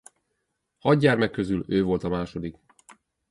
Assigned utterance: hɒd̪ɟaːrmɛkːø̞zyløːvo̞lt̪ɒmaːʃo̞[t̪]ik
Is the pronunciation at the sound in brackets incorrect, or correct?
incorrect